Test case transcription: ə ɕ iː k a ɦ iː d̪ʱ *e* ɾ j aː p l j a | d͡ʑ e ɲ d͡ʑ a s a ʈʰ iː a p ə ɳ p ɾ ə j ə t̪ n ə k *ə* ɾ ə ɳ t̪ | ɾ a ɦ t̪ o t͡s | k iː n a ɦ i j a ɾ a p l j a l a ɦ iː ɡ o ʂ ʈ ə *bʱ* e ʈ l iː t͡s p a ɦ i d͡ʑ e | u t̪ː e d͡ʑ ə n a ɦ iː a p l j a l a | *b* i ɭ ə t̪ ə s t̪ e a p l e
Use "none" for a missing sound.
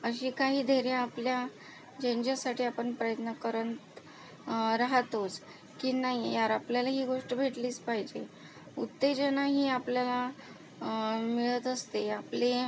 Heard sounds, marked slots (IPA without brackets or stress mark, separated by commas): e, ə, bʱ, m